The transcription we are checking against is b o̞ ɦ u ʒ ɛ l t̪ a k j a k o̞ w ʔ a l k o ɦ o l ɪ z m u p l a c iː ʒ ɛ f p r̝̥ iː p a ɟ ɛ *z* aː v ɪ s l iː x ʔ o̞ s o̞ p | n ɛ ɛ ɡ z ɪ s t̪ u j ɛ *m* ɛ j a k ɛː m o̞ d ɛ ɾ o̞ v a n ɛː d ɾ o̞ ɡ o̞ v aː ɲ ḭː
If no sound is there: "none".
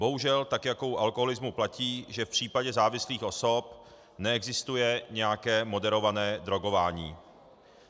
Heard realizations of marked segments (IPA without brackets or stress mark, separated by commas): z, ɲ